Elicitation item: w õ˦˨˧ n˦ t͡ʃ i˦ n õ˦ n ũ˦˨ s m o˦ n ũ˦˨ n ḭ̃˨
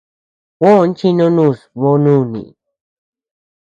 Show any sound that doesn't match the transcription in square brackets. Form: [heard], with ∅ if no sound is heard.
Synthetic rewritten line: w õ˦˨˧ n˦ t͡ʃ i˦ n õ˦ n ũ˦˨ s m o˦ n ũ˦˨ n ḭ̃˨